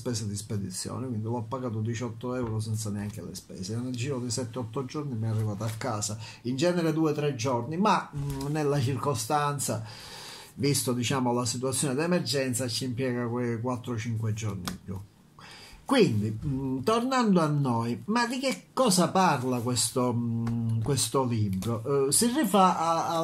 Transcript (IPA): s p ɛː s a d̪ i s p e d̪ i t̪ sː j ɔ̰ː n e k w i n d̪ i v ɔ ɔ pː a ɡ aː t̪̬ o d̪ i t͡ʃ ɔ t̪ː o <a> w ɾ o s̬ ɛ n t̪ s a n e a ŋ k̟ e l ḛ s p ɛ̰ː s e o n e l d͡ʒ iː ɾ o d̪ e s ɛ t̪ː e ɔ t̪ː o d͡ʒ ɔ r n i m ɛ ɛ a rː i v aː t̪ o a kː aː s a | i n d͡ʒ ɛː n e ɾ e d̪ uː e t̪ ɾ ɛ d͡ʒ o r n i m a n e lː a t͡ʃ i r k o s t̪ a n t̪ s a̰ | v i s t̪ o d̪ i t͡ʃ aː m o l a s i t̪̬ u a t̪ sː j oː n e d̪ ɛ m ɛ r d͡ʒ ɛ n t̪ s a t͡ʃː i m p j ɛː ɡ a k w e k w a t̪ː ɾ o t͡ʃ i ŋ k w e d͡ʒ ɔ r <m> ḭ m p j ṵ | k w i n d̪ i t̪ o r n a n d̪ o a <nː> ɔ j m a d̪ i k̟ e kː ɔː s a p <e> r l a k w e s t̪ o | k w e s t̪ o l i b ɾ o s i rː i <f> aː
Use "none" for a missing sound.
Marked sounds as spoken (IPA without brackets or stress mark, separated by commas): ɛ, n, nː, a, f